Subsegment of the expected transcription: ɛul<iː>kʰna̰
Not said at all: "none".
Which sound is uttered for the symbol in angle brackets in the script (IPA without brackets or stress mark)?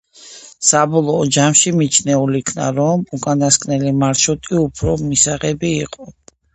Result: i